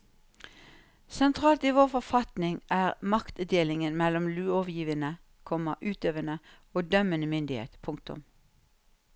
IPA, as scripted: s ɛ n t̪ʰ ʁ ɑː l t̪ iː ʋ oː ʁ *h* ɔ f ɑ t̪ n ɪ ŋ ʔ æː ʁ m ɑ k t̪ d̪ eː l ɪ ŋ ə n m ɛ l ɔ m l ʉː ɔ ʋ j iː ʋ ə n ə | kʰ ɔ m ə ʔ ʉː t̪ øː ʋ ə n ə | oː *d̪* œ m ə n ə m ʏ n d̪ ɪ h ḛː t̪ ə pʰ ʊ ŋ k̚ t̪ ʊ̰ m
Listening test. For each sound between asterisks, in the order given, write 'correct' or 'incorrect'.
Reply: incorrect: f, correct

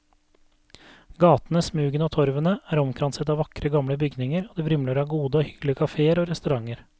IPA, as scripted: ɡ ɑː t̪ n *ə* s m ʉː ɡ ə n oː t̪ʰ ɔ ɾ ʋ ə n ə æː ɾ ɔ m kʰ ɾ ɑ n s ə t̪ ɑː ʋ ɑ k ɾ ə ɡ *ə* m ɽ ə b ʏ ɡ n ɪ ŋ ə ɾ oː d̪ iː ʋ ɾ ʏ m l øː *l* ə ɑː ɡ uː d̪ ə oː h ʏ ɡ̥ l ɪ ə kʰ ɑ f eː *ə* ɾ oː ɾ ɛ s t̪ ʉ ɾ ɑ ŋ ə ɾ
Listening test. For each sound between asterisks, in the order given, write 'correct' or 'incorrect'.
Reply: correct, incorrect: ɑ, incorrect: ɾ, correct

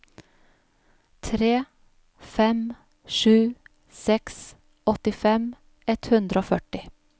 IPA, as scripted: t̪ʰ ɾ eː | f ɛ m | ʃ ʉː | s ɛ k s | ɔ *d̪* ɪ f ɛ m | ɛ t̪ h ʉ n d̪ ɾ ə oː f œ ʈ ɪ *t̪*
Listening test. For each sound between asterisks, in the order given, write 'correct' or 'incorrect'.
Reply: incorrect: t̪, incorrect: none

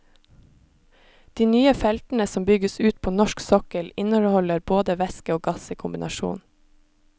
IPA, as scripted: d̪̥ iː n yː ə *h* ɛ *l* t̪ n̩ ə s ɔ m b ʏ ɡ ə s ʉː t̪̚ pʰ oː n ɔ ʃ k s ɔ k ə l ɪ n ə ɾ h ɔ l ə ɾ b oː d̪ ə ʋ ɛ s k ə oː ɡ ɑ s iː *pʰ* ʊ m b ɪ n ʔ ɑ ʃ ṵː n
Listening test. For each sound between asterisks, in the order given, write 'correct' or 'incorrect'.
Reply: incorrect: f, correct, incorrect: kʰ

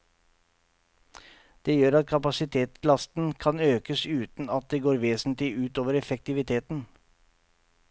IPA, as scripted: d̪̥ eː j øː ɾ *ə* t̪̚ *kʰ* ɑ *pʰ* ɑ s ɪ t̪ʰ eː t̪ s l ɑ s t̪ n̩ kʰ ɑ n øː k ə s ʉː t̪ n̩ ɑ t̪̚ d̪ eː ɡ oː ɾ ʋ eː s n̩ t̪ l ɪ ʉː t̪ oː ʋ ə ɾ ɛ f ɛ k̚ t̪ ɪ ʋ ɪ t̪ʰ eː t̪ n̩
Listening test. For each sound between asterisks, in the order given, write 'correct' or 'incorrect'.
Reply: incorrect: ɑ, correct, incorrect: p

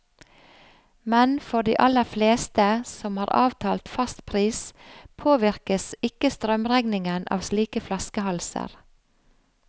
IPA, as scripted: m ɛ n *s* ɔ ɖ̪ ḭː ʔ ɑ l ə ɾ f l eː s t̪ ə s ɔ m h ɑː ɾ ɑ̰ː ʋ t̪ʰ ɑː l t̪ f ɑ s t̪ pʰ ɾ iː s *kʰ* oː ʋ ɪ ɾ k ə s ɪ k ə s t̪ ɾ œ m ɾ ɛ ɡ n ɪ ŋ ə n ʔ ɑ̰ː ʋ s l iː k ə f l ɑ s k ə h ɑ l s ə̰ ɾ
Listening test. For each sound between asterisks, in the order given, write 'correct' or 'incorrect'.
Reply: incorrect: f, incorrect: pʰ

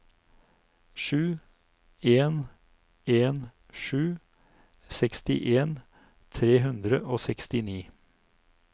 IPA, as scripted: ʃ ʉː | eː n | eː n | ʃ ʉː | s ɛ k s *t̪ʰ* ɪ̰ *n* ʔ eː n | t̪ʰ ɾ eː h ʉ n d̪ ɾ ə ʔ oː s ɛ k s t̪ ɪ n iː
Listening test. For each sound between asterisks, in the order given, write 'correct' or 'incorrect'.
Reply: incorrect: t̪, incorrect: none

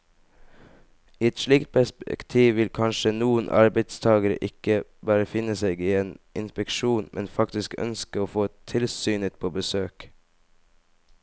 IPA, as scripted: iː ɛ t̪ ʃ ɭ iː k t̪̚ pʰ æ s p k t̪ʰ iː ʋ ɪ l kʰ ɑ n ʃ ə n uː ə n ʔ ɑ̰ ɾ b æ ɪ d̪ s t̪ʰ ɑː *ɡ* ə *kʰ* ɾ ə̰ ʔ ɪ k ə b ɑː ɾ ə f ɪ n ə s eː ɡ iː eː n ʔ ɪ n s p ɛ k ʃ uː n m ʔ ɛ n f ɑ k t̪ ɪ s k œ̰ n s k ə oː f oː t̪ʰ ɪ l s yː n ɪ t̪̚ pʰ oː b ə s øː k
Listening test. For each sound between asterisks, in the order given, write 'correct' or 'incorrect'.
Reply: correct, incorrect: none

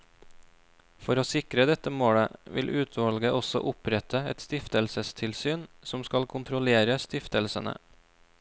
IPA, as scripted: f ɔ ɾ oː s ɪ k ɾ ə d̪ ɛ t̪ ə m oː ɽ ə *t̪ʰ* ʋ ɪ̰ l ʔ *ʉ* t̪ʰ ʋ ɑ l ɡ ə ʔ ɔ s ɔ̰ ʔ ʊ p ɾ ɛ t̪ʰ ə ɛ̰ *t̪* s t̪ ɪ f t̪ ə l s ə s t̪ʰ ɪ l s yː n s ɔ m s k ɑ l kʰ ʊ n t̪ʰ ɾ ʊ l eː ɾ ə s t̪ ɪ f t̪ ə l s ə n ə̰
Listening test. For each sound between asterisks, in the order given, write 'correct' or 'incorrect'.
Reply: incorrect: none, incorrect: ʉː, correct

